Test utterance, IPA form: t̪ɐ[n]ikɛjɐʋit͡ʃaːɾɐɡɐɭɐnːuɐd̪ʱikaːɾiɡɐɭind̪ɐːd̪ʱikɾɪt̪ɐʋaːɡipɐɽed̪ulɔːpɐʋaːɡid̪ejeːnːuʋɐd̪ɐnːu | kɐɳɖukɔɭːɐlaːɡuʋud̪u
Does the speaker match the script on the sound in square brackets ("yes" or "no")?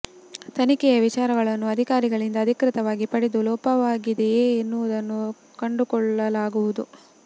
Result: yes